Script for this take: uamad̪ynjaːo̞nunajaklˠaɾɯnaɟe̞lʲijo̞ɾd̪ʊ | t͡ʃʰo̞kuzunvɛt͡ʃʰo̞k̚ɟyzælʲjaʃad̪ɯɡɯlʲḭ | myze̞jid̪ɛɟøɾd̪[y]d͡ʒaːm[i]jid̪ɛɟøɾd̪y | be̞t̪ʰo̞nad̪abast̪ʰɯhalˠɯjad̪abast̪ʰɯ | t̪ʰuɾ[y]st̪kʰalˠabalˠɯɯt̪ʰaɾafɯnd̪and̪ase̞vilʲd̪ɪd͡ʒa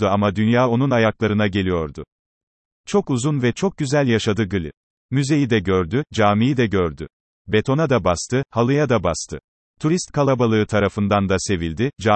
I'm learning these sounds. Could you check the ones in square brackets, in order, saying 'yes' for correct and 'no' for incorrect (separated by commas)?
yes, yes, no